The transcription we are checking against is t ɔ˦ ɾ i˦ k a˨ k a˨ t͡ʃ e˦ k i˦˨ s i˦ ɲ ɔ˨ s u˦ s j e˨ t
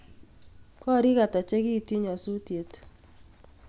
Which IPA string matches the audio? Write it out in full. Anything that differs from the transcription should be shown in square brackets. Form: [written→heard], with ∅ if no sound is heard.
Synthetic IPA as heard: [t→k] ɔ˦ ɾ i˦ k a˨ [k→t] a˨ t͡ʃ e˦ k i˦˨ [s→t] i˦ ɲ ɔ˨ s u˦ [s→t] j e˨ t